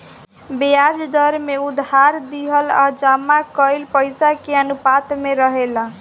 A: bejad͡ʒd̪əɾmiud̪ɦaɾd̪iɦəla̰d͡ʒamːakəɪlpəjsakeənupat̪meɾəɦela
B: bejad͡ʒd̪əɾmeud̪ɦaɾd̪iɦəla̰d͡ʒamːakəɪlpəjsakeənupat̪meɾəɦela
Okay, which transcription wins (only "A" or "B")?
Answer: B